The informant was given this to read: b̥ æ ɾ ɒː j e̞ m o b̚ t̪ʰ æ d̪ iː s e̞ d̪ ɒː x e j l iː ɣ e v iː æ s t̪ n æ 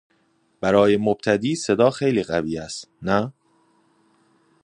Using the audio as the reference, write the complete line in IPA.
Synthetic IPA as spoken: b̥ æ ɾ ɒː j e̞ m o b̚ t̪ʰ æ d̪ iː s e̞ d̪ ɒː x e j l iː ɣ æ v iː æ s t̪ n æ